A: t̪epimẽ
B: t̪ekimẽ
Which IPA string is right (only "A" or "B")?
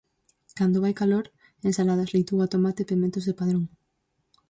A